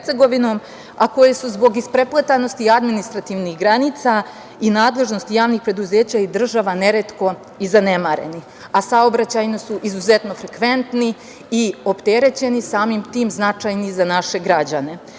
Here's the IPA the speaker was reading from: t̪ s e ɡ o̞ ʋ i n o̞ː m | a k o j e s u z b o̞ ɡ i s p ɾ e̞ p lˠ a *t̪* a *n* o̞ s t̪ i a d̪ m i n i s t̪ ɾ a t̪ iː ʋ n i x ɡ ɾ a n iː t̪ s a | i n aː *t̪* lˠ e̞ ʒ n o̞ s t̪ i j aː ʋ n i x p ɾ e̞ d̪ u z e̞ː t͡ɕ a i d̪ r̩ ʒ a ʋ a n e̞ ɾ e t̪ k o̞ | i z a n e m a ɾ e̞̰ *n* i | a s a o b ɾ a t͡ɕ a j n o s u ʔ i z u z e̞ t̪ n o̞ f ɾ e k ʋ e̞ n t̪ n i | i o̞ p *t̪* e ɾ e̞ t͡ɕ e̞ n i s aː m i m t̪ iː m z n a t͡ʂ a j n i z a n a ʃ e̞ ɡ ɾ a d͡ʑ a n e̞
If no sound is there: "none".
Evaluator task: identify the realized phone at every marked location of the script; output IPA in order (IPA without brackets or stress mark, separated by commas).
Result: t̪, n, d̪, n, t̪